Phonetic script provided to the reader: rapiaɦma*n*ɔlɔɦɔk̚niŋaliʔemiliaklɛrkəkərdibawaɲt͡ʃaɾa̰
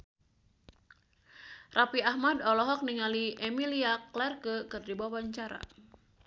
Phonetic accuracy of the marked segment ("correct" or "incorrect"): incorrect